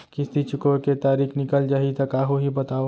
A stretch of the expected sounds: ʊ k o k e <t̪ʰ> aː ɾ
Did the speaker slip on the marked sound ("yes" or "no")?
yes